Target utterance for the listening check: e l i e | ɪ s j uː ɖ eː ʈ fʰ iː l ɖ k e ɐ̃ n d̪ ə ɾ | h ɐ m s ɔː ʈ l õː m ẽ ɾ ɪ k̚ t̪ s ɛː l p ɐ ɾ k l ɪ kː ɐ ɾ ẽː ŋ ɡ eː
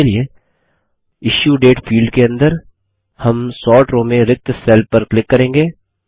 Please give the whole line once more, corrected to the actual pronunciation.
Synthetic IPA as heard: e l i e | ɪ ʃ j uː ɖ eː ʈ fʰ iː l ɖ k e ɐ̃ n d̪ ə ɾ | h ɐ m s ɔː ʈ ɾ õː m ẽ ɾ ɪ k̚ t̪ s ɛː l p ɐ ɾ k l ɪ kː ɐ ɾ ẽː ŋ ɡ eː